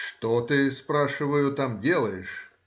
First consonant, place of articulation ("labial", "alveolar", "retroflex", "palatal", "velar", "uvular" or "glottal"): retroflex